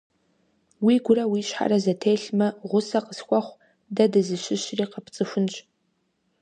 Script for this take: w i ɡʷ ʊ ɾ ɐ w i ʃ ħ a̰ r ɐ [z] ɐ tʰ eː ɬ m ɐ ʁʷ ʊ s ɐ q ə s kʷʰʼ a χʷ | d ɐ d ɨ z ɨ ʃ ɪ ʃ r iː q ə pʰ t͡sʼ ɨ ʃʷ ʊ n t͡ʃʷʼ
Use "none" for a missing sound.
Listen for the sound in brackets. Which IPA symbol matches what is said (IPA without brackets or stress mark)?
z